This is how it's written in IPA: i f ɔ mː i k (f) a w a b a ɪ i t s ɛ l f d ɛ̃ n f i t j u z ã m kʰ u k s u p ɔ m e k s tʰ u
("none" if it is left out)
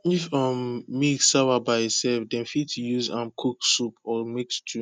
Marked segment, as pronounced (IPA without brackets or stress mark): s